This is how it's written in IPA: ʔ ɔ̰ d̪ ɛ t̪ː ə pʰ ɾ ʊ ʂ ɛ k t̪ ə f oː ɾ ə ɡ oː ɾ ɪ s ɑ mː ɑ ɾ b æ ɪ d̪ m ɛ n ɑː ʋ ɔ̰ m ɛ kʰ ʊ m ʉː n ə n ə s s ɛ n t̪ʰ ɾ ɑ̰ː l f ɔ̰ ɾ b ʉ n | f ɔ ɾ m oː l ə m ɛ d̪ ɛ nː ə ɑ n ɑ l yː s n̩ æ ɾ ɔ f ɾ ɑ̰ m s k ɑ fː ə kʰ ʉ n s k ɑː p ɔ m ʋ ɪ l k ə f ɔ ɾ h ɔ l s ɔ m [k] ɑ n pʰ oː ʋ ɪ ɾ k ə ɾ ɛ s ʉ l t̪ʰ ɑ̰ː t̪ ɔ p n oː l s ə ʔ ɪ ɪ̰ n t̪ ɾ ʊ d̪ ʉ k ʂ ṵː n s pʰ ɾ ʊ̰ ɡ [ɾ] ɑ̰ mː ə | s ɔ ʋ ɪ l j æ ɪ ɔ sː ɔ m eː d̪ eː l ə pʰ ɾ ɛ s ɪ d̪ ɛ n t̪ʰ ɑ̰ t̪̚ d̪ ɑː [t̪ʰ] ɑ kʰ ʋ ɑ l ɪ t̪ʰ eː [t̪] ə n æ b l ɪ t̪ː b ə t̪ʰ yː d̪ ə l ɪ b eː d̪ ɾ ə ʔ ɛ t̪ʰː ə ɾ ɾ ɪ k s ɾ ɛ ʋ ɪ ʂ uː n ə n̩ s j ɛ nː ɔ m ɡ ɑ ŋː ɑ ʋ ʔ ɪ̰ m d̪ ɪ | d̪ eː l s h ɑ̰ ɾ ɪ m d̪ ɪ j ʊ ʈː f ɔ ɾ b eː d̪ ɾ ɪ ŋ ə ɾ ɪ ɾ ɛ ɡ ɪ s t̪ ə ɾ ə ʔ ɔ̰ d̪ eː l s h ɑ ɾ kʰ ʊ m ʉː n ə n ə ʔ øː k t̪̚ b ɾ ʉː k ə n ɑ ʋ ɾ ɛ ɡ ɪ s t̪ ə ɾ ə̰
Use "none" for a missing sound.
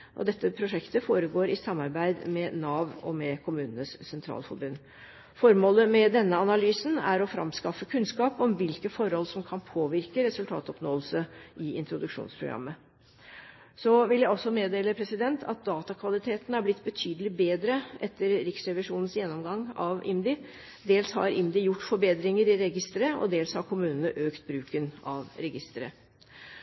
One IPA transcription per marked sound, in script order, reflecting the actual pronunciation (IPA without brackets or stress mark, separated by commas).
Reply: kʰ, ɾ, t̪, t̪